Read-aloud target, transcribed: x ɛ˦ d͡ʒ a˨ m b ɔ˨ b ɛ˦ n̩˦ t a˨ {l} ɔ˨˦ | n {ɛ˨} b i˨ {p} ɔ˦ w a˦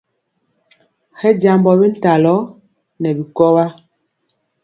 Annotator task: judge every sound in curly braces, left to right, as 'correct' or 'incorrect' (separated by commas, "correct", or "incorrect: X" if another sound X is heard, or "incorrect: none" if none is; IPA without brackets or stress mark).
correct, correct, incorrect: k